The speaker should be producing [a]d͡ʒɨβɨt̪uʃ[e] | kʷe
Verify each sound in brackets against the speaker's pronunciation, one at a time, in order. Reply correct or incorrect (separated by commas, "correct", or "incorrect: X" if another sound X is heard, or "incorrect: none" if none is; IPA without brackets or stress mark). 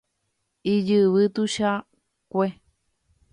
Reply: incorrect: i, incorrect: a